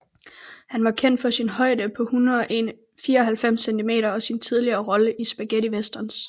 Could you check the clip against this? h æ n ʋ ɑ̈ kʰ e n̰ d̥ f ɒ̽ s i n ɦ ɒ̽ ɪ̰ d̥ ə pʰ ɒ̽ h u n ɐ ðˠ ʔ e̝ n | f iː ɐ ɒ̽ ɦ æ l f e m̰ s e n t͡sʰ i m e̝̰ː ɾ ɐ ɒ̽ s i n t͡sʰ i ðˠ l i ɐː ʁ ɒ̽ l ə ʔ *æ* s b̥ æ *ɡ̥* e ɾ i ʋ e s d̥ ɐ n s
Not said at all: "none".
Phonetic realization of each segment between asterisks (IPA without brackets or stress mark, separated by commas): i, ɡ̥